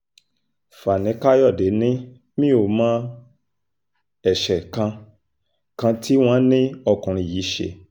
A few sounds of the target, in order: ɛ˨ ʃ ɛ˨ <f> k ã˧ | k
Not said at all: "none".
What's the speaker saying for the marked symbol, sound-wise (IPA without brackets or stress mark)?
none